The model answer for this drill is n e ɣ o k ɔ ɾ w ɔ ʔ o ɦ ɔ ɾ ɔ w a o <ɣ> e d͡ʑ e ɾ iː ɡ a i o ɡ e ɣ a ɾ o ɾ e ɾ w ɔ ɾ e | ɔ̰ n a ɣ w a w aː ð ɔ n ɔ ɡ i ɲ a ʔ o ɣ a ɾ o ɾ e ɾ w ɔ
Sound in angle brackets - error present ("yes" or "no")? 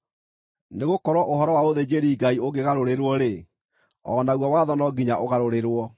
yes